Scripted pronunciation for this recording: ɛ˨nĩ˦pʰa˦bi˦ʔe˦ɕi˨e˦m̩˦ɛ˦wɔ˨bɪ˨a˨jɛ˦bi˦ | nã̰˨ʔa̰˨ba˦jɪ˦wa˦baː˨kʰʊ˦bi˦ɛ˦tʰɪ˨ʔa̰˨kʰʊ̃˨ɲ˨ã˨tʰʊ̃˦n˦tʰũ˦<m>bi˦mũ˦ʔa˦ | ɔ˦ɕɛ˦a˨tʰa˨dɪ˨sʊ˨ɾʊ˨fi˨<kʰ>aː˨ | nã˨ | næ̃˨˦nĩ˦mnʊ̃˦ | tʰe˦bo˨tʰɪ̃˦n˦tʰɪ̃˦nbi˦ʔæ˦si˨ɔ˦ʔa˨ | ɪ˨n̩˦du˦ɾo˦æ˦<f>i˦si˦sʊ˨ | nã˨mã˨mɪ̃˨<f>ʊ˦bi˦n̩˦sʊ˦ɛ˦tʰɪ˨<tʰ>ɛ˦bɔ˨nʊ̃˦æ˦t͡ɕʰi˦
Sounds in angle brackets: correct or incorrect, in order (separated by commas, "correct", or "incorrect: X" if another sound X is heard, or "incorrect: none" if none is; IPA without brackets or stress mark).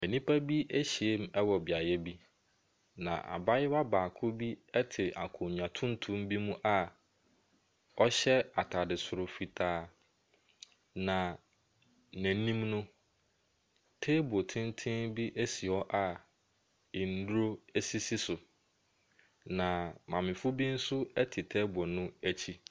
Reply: correct, incorrect: tʰ, incorrect: s, correct, correct